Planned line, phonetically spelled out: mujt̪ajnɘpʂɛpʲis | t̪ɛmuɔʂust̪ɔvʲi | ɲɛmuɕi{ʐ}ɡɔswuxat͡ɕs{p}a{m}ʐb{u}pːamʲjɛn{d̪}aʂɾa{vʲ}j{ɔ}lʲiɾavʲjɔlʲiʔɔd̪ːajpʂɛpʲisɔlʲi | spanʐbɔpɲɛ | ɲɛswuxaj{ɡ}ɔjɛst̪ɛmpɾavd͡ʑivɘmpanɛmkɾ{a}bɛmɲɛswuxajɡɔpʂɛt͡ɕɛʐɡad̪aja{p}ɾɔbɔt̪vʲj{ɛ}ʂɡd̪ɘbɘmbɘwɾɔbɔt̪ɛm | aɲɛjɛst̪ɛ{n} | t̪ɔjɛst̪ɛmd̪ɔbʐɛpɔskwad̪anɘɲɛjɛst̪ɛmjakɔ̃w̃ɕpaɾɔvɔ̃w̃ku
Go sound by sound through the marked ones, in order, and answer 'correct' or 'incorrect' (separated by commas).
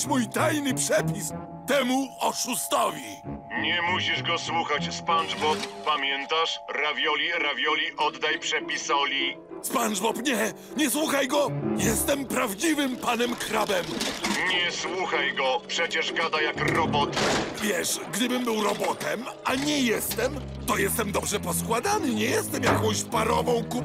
correct, correct, incorrect, incorrect, incorrect, correct, correct, correct, correct, incorrect, correct, incorrect